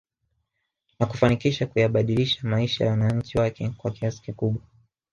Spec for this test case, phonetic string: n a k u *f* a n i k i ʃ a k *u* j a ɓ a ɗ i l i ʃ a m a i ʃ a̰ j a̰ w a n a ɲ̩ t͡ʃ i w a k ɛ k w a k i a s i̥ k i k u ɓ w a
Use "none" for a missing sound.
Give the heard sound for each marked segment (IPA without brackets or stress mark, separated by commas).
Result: f, u